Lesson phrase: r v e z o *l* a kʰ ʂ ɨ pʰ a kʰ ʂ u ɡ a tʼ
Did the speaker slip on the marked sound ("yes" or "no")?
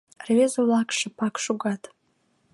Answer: no